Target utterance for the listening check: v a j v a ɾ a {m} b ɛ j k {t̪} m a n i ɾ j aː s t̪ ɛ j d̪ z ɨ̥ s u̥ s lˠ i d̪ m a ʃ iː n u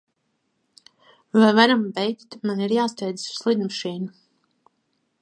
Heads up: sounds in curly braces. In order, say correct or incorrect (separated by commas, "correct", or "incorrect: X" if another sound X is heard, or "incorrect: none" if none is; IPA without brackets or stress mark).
correct, correct